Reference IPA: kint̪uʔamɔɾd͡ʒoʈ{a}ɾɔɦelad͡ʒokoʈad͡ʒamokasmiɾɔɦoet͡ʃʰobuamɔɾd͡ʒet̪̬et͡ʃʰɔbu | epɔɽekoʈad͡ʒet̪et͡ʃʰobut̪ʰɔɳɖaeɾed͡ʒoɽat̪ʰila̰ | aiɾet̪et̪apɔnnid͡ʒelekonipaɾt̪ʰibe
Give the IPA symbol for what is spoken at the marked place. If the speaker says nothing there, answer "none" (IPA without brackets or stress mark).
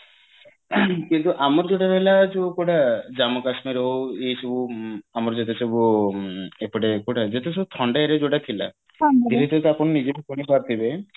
a